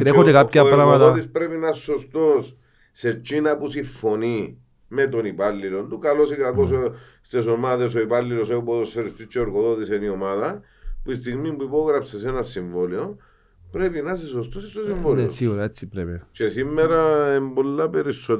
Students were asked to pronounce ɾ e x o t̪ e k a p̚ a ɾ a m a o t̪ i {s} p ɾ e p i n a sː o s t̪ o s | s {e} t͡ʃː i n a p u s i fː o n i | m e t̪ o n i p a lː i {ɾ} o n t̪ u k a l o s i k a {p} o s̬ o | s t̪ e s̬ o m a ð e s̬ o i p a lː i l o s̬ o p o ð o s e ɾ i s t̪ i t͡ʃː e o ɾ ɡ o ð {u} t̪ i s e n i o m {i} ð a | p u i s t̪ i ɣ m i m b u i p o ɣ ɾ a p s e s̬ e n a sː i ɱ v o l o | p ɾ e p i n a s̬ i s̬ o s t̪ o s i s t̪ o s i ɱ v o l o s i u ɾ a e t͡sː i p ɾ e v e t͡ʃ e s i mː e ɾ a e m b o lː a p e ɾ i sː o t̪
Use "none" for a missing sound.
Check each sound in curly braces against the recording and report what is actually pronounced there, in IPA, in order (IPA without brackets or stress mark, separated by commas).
s, e, l, k, o, a